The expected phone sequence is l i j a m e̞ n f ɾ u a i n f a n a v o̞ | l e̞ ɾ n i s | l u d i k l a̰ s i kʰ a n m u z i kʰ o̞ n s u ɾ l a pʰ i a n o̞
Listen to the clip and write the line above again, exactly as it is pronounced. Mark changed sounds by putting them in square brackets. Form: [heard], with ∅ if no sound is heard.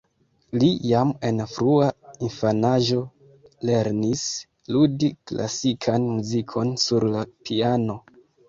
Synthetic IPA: l i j a m e̞ n f ɾ u a i n f a n a [ʒ] o̞ | l e̞ ɾ n i s | l u d i k l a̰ s i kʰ a n m u z i kʰ o̞ n s u ɾ l a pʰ i a n o̞